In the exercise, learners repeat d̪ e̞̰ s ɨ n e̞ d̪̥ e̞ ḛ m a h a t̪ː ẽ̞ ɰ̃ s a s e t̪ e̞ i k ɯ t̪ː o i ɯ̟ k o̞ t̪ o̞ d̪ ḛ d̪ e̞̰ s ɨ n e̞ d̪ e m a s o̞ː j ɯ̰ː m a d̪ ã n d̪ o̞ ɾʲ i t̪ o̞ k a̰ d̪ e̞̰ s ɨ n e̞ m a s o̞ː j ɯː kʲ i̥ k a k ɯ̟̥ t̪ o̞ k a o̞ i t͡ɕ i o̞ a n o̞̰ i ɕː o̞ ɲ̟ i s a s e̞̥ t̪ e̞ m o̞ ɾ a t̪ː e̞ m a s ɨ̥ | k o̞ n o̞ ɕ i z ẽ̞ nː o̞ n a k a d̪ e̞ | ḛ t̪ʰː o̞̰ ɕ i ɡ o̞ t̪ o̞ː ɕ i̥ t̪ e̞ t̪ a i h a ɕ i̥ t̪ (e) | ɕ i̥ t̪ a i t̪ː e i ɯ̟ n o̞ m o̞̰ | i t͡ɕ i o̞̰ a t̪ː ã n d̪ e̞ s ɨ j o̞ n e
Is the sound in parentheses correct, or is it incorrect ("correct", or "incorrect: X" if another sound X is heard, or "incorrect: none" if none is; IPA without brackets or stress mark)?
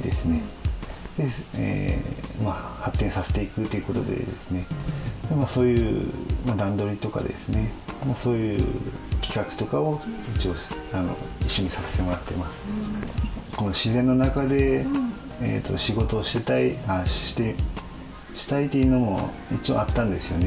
correct